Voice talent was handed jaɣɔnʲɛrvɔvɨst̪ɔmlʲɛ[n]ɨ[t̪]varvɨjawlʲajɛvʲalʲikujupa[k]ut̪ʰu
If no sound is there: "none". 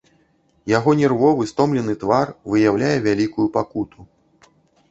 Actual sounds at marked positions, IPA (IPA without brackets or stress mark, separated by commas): n, t̪, k